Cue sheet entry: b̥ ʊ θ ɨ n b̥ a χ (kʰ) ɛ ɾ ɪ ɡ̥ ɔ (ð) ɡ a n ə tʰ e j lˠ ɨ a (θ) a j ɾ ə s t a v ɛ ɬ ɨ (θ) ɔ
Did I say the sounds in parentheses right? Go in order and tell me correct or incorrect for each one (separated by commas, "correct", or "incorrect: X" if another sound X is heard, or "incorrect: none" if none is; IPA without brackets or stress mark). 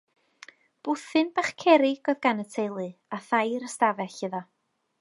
correct, correct, correct, incorrect: ð